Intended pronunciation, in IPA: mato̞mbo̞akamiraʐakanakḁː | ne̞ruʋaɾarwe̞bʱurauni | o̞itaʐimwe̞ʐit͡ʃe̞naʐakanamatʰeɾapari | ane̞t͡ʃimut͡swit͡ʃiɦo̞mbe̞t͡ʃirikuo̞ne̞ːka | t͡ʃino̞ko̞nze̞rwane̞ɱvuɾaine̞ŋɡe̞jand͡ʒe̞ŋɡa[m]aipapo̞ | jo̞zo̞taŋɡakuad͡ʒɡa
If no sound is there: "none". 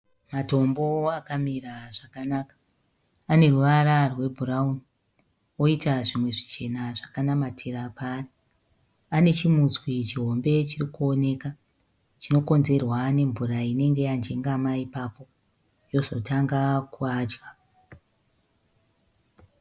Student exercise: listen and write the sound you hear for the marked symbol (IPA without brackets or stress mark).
m